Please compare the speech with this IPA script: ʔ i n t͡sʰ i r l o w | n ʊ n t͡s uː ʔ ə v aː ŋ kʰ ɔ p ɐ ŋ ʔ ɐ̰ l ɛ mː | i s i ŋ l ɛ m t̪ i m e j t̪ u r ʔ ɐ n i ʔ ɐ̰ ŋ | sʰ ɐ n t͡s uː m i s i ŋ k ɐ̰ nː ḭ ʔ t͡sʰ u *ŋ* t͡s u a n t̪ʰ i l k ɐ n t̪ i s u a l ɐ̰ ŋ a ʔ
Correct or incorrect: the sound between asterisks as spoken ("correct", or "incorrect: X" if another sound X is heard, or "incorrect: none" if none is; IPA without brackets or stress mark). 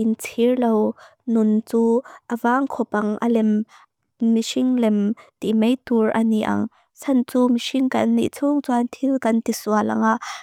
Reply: correct